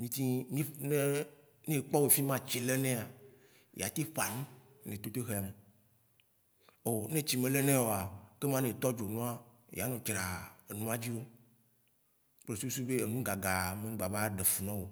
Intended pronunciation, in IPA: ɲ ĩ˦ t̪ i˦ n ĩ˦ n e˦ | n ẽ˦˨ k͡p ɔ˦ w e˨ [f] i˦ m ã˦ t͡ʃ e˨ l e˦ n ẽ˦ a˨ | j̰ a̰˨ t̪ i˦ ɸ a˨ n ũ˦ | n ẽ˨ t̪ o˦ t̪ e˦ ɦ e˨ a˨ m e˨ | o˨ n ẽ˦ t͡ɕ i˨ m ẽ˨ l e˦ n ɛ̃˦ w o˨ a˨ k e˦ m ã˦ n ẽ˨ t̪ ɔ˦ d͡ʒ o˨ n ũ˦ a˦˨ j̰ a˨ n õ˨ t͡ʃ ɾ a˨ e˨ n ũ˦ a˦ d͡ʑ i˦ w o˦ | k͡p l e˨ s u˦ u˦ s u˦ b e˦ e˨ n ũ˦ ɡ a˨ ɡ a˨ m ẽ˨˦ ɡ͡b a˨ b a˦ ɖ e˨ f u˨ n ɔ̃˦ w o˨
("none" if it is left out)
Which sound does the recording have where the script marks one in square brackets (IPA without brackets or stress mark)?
f